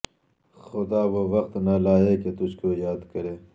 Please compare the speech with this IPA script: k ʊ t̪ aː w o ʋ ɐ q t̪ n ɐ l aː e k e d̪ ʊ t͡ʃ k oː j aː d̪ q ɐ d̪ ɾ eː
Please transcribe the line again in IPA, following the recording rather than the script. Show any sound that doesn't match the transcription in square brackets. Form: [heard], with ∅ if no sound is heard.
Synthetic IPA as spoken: [x] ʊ [d̪] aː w o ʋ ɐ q t̪ n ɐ l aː e k e [t̪] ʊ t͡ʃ k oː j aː d̪ [k] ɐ [∅] ɾ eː